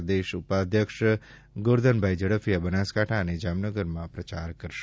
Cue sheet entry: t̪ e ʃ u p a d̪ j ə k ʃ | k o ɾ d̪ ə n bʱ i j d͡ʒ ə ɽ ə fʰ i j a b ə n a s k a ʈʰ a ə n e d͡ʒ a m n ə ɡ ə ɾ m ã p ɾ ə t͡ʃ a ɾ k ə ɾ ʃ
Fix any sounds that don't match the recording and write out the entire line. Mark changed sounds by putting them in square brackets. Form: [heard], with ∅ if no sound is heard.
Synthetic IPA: [d̪] e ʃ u p a d̪ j ə k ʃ | [ɡ] o ɾ d̪ ə n bʱ [a] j d͡ʒ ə ɽ ə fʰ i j a b ə n a s k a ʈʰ a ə n e d͡ʒ a m n ə ɡ ə ɾ m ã p ɾ ə t͡ʃ a ɾ k ə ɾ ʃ